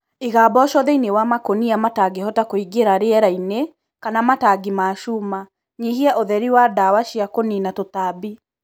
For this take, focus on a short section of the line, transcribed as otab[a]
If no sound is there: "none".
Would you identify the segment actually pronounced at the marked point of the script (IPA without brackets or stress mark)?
i